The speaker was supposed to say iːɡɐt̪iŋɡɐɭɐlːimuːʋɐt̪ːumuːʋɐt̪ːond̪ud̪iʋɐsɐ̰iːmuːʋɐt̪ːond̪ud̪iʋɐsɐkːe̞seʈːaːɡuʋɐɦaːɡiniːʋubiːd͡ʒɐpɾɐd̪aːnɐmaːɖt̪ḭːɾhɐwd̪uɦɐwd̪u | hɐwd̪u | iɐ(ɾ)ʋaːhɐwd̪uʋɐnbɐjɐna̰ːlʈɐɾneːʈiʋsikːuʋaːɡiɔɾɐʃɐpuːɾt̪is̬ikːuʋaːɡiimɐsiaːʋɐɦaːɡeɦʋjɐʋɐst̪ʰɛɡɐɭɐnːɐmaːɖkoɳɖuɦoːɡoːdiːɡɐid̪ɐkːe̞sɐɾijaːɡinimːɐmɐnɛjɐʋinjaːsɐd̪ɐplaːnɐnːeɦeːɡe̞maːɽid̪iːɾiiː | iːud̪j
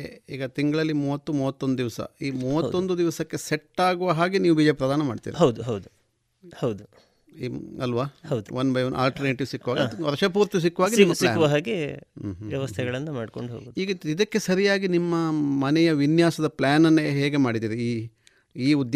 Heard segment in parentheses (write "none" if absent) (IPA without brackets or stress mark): l